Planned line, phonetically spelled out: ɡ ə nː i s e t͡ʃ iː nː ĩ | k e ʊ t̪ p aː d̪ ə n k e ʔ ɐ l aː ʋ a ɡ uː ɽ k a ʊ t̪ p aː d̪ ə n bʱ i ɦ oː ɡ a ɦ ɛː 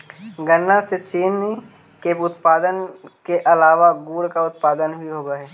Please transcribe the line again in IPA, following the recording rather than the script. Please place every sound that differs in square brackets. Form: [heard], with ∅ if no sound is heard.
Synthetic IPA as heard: ɡ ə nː [a] s e t͡ʃ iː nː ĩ | k e ʊ t̪ p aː d̪ ə n k e ʔ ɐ l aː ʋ a ɡ uː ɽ k a ʊ t̪ p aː d̪ ə n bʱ i ɦ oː ɡ a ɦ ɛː